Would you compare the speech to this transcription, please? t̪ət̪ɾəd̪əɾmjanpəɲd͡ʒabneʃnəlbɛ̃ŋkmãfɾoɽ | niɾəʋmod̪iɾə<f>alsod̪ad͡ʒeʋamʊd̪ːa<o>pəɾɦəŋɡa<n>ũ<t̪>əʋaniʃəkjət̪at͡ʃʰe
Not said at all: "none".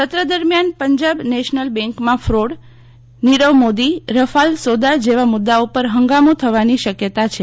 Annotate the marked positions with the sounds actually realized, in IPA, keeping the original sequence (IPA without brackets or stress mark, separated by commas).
f, u, m, t̪ʰ